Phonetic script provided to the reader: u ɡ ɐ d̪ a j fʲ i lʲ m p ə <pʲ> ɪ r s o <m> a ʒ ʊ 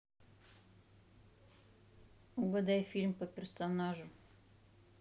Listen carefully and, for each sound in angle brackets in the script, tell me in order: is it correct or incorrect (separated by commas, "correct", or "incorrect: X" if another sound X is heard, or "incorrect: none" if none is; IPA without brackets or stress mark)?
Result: correct, incorrect: n